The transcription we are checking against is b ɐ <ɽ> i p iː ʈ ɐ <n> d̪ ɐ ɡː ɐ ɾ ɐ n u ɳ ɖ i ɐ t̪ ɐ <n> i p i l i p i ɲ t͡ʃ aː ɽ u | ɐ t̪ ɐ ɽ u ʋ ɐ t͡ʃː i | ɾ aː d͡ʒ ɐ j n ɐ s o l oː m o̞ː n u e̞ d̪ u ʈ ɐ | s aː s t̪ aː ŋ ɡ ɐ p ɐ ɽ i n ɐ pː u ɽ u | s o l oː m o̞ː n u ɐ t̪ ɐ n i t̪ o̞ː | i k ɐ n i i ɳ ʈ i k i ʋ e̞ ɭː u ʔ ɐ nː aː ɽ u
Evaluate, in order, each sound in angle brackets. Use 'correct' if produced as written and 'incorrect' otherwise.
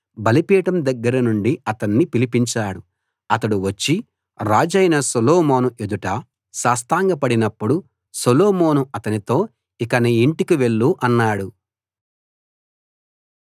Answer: incorrect: l, incorrect: m, incorrect: nː

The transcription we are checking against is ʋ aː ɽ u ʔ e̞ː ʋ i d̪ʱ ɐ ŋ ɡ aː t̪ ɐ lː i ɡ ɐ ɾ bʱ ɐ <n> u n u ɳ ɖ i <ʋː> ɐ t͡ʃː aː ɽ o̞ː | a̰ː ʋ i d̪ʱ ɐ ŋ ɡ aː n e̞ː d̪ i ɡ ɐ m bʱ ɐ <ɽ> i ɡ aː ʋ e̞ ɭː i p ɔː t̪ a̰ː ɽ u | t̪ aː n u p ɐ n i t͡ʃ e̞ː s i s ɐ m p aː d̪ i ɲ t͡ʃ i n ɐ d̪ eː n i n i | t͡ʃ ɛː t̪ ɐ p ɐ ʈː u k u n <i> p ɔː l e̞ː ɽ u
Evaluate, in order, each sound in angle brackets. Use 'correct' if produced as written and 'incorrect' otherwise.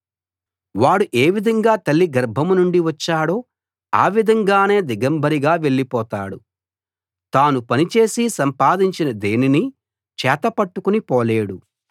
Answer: incorrect: m, incorrect: ʋ, incorrect: ɾ, correct

